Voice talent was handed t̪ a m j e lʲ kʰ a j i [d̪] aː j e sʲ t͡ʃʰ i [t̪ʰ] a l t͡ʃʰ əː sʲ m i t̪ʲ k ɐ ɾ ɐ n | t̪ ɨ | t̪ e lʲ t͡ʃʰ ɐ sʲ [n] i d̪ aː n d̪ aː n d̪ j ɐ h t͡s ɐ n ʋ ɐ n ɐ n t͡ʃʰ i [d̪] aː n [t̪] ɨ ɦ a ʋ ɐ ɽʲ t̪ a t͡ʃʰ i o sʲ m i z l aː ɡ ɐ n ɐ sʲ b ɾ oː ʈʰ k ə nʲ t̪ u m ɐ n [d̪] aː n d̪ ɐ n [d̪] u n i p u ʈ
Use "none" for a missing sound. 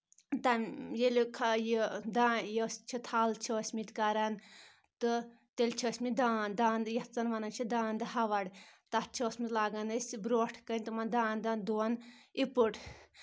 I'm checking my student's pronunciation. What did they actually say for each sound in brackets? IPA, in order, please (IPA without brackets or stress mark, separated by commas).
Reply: d̪, t̪ʰ, m, d̪, d̪, d̪, d̪